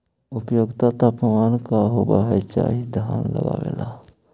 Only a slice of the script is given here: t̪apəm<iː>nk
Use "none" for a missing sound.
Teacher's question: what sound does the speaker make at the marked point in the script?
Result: aː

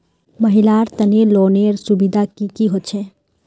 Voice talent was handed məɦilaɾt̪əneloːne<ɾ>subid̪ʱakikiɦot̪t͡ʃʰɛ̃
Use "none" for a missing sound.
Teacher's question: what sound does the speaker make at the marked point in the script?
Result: ɾ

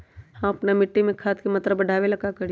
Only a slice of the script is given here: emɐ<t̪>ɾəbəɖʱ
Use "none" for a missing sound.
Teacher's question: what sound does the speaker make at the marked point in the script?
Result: t̪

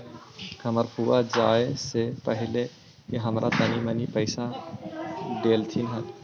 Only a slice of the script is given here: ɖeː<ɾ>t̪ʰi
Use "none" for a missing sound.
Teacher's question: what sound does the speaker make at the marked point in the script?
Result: l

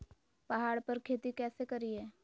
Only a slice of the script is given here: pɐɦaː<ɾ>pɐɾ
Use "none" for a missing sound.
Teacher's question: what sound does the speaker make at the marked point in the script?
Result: ɽ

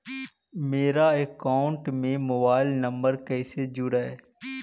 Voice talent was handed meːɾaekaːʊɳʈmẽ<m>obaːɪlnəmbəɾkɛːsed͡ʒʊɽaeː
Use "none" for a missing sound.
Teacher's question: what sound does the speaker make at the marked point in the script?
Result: m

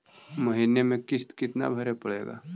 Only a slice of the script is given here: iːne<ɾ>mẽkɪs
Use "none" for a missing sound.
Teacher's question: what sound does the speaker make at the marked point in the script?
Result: none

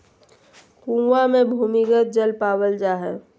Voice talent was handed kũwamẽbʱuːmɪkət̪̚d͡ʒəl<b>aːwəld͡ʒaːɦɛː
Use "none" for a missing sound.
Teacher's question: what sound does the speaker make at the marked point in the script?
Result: p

